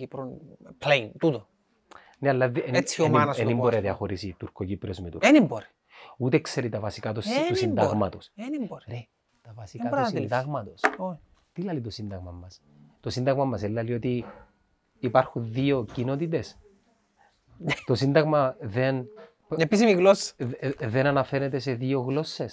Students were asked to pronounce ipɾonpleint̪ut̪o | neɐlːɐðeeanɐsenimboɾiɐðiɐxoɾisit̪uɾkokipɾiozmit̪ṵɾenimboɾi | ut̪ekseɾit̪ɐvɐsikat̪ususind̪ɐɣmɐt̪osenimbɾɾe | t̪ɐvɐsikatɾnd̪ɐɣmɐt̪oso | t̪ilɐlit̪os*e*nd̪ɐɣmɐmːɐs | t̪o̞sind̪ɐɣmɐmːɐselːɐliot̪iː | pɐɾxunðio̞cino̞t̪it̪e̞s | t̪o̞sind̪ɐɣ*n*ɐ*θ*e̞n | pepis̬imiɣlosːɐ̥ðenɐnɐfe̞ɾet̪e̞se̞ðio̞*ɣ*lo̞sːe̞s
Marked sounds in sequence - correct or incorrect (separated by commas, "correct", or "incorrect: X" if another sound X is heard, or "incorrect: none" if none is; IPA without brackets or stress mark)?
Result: incorrect: i, incorrect: m, incorrect: ð, correct